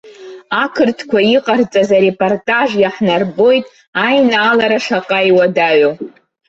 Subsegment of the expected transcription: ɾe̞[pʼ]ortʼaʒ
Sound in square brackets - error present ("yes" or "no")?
no